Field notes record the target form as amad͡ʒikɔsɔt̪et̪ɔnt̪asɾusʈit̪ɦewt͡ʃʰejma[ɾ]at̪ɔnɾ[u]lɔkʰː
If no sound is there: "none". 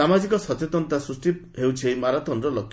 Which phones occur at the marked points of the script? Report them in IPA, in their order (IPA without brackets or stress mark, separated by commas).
ɾ, ɔ